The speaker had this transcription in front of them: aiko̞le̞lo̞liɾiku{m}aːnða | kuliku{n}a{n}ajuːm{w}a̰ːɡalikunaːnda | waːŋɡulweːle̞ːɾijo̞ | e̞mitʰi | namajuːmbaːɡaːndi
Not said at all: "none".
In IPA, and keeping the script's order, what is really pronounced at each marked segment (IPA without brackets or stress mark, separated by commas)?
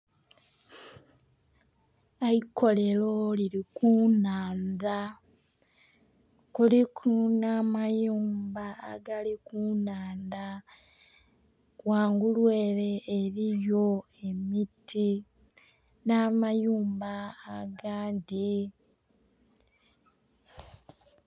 n, n, m, b